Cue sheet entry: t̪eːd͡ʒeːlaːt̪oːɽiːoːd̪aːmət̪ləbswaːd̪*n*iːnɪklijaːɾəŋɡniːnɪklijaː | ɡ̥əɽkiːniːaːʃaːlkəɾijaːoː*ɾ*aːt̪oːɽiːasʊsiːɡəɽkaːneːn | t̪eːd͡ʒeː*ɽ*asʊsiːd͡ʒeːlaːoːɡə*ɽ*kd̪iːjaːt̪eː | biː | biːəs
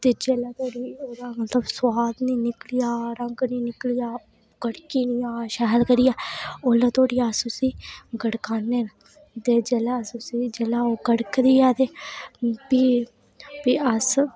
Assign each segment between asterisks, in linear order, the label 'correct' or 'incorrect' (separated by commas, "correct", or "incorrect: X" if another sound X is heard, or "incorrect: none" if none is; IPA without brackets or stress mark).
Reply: correct, incorrect: l, incorrect: l, correct